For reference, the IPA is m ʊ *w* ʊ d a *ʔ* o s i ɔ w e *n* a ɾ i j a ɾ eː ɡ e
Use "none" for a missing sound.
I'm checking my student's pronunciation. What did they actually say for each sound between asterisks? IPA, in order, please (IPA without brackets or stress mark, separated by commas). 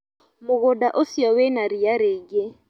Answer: ɣ, ʔ, n